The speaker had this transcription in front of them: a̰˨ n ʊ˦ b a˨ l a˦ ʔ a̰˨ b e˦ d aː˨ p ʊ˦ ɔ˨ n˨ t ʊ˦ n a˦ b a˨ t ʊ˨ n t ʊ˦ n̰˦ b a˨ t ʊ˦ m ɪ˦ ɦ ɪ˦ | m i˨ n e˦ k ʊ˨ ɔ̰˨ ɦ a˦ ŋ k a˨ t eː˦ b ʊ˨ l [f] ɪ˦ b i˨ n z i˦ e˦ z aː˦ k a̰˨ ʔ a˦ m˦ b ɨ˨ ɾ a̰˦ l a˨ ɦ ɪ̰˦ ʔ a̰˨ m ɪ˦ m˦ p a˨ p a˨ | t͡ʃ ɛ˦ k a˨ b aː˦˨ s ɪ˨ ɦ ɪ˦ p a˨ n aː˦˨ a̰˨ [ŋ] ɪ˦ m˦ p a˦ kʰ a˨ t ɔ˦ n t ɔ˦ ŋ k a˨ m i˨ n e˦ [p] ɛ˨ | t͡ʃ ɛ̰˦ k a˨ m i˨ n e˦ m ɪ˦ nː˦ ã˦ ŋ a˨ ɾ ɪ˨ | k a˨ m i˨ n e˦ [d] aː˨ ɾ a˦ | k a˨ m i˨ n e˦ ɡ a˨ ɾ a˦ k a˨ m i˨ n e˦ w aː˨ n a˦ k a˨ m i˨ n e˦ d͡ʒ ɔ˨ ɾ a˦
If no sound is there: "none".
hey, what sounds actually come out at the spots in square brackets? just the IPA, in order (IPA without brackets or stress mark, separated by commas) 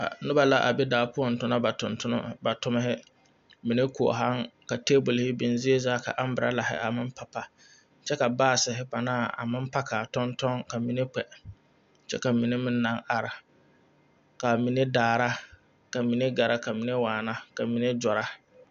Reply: h, m, k͡p, d